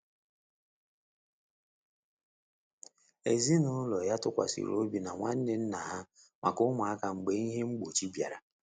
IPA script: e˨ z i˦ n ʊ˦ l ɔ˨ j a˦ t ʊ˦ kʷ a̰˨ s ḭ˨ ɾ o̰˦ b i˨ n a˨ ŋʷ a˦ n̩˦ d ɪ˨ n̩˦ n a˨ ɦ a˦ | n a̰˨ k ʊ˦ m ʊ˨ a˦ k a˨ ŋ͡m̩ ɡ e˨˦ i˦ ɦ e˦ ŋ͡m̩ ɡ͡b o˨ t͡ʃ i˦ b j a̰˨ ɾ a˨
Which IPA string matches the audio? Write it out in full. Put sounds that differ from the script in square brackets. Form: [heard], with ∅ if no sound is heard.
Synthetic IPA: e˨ z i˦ n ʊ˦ l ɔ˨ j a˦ t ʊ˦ kʷ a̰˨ s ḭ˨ ɾ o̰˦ b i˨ n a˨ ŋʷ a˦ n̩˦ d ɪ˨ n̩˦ n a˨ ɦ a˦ | [m] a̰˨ k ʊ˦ m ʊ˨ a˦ k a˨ ŋ͡m̩ [ɡ͡b] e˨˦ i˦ ɦ e˦ ŋ͡m̩ ɡ͡b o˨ t͡ʃ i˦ b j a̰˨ ɾ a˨

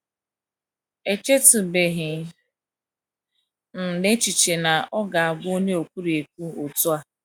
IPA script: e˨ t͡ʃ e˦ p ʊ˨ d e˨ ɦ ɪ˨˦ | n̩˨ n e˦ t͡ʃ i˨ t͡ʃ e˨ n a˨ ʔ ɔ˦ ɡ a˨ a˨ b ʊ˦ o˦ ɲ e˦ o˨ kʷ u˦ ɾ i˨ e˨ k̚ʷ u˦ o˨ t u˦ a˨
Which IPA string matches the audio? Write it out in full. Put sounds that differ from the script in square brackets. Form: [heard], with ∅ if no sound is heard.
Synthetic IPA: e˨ t͡ʃ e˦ [t] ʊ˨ [b] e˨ ɦ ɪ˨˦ | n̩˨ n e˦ t͡ʃ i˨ t͡ʃ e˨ n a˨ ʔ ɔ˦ ɡ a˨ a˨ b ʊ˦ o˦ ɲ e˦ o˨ kʷ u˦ ɾ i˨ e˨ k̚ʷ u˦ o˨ t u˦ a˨

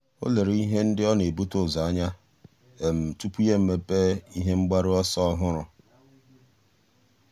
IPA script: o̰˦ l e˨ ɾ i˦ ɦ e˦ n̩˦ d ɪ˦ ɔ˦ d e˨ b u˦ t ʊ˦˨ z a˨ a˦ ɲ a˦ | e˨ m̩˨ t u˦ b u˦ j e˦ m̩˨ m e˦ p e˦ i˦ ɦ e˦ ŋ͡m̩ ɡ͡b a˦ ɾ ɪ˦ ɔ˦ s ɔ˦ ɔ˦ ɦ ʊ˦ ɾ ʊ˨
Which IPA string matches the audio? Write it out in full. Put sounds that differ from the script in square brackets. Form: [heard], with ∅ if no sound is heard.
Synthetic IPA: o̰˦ l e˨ ɾ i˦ ɦ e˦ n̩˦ d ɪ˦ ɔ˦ [n] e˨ b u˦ t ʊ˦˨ z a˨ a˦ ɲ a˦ | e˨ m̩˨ t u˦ [p] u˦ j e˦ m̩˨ m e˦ p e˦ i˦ ɦ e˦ ŋ͡m̩ ɡ͡b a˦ ɾ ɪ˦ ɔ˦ s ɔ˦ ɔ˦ ɦ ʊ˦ ɾ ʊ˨

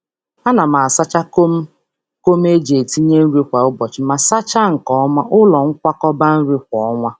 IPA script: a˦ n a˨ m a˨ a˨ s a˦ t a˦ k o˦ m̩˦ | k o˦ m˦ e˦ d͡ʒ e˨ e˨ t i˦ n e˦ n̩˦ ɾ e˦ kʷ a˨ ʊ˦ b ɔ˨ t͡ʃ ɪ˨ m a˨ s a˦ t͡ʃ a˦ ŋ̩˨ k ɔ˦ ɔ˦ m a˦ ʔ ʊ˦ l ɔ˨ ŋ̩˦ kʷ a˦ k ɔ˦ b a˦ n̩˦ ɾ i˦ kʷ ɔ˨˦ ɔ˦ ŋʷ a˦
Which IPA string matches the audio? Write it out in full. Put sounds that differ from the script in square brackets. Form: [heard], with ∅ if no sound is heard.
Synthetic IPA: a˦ n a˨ m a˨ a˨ s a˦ [t͡ʃ] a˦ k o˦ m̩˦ | k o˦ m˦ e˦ d͡ʒ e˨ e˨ t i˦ [ɲ] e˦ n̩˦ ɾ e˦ kʷ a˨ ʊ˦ b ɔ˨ t͡ʃ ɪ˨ m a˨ s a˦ t͡ʃ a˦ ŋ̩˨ k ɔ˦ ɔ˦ m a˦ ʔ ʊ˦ l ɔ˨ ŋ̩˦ kʷ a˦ k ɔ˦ b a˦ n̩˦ ɾ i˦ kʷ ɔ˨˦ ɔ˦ ŋʷ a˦

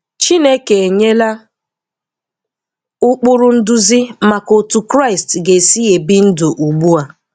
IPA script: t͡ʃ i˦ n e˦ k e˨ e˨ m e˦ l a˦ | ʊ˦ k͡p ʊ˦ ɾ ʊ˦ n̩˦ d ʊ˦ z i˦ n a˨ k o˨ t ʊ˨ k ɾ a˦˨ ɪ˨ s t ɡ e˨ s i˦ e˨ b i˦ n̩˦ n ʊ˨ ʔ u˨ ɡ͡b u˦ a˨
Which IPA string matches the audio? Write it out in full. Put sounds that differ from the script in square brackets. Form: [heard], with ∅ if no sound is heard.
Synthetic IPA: t͡ʃ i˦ n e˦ k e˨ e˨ [ɲ] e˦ l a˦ | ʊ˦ k͡p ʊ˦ ɾ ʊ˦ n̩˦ d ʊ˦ z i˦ [m] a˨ k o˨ t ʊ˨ k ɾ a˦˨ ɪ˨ s t ɡ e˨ s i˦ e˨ b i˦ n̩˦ [d] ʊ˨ ʔ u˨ ɡ͡b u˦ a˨

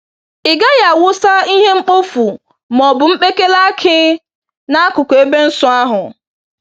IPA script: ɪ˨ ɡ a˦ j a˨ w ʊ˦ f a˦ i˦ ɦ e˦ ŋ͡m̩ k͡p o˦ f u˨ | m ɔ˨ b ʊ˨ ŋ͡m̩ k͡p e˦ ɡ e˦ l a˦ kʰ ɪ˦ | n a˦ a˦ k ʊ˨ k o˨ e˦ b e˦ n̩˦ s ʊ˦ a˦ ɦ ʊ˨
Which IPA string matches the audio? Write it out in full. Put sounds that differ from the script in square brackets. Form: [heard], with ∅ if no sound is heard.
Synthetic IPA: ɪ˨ ɡ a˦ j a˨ w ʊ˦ [s] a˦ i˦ ɦ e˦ ŋ͡m̩ k͡p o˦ f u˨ | m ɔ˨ b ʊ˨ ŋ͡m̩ k͡p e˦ [k] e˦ l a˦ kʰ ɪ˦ | n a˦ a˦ k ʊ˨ k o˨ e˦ b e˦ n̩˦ s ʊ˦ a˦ ɦ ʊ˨

